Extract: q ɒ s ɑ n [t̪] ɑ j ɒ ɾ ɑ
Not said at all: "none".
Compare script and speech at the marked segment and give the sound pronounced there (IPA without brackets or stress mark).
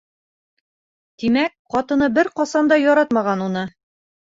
d̪